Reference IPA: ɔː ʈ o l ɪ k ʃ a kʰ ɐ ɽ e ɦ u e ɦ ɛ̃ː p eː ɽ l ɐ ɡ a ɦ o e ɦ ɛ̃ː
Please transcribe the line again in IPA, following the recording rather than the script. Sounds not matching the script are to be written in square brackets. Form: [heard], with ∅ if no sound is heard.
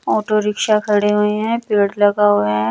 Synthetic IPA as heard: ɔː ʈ o [ɾ] ɪ k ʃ a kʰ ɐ ɽ e ɦ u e ɦ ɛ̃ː p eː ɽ l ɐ ɡ a ɦ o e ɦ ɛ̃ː